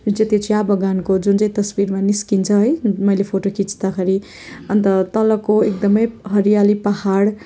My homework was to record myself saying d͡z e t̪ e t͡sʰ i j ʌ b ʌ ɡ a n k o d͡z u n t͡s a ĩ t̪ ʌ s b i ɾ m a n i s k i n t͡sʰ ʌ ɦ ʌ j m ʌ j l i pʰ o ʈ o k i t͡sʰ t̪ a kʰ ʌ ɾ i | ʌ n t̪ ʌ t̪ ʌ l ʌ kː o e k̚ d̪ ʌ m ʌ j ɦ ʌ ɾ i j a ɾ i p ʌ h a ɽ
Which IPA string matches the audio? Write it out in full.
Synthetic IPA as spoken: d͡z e t̪ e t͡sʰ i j a b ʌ ɡ a n k o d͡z u n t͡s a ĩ t̪ ʌ s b i ɾ m a n i s k i n t͡sʰ ʌ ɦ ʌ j m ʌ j l e pʰ o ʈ o k i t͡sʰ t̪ a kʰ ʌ ɾ i | ʌ n t̪ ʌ t̪ ʌ l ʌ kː o e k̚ d̪ ʌ m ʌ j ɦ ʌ ɾ i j a l i p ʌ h a ɽ